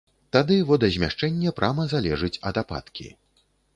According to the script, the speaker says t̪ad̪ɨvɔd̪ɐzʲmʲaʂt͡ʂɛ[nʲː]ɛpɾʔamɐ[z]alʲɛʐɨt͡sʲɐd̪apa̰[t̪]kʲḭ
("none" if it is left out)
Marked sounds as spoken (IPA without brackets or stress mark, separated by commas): nʲː, z, t̪